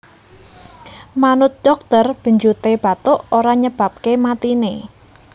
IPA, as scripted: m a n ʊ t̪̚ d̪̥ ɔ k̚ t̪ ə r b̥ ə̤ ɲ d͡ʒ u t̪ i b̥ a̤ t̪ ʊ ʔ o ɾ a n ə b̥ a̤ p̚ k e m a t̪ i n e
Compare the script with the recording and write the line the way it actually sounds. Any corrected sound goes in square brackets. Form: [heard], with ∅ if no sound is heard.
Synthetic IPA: m a n ʊ t̪̚ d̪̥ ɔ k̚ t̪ ə r b̥ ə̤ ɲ d͡ʒ u t̪ [e] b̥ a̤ t̪ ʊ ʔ o ɾ a [ɲ] ə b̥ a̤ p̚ k e m a t̪ i n e